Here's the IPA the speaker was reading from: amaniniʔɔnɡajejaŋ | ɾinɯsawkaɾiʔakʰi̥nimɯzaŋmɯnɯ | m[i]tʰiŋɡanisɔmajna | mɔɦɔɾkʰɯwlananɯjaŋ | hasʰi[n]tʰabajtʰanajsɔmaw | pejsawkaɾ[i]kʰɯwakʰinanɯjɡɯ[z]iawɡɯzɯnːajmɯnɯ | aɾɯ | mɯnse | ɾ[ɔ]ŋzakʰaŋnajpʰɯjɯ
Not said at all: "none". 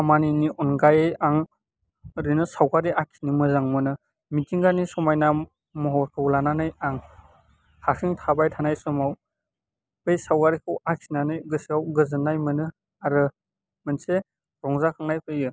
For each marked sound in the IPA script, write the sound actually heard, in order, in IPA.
i, ŋ, i, s, ɔ

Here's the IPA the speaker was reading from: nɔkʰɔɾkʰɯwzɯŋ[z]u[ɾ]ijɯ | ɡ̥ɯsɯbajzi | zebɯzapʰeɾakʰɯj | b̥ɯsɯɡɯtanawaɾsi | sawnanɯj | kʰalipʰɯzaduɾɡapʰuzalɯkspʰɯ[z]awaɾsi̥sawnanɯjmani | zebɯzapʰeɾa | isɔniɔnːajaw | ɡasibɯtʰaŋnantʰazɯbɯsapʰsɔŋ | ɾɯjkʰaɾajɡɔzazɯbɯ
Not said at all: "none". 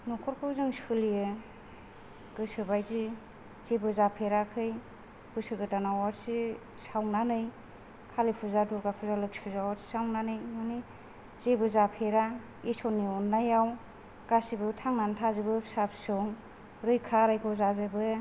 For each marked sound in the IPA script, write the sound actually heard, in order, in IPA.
s, l, z

